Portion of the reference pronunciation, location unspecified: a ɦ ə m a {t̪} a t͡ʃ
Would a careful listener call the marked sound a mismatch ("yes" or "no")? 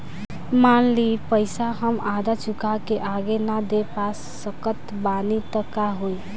yes